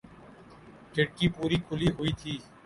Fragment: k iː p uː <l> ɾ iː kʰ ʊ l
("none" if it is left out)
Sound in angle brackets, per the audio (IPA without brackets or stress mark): none